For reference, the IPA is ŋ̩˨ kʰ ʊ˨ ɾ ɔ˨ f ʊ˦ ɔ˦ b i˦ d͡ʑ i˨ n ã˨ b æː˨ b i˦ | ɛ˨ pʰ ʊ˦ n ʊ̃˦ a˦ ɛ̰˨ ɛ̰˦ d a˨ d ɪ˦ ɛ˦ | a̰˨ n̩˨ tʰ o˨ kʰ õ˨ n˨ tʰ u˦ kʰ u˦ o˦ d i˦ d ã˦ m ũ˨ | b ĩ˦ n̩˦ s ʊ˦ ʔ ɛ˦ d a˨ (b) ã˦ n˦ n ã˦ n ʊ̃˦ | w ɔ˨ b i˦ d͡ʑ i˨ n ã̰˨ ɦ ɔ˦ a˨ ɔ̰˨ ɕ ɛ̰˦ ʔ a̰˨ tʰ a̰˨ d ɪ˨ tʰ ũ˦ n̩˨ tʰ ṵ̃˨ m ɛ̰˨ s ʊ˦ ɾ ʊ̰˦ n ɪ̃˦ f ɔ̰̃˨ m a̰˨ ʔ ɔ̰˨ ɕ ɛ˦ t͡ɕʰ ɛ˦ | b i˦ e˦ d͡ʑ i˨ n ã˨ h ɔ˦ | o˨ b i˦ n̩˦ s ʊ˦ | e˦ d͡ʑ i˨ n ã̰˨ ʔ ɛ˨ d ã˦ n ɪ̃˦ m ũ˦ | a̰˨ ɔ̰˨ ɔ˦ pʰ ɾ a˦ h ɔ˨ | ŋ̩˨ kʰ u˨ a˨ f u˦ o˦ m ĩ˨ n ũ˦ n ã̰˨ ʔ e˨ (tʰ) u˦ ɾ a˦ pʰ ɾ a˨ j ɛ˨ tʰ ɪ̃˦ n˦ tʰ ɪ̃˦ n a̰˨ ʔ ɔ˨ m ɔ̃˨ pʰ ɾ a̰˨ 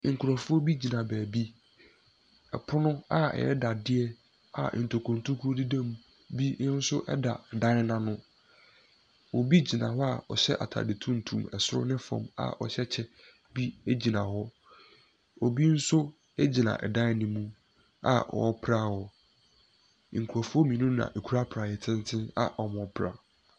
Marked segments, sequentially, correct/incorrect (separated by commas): incorrect, incorrect